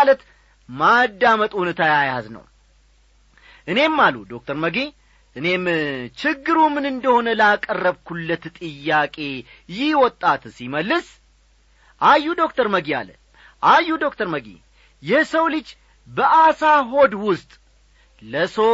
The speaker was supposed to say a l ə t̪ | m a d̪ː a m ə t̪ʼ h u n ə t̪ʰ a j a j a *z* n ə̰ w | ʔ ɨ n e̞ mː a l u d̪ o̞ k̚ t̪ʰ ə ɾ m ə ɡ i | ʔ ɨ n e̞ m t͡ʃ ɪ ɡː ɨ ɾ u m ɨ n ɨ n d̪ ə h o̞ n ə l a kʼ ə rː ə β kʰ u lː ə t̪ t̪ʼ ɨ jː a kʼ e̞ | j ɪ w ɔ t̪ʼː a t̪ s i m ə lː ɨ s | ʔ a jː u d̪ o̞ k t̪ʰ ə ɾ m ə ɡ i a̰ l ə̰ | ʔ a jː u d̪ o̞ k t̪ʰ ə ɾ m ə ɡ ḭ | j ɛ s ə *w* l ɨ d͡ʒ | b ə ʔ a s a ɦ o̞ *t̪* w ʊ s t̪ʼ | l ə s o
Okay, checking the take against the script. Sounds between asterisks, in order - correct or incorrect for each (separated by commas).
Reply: correct, correct, incorrect